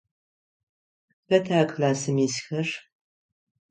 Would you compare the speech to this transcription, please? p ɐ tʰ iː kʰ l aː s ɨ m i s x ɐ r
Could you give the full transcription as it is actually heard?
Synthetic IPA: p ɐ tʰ aː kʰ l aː s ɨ m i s x ɐ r

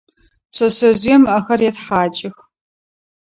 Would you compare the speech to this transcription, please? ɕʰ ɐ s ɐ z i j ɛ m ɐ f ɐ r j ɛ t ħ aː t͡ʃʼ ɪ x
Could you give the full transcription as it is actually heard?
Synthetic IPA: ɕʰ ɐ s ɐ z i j ɛ m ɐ x ɐ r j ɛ t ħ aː t͡ʃʼ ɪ x

